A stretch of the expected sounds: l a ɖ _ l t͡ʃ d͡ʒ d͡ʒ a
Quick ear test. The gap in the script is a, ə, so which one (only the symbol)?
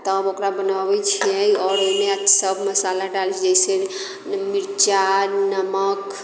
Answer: a